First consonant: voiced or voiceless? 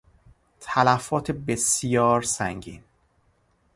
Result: voiceless